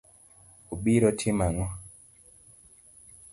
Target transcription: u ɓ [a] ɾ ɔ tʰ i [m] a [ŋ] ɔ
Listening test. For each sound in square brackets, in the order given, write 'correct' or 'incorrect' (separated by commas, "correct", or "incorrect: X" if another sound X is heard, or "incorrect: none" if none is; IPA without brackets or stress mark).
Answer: incorrect: i, correct, correct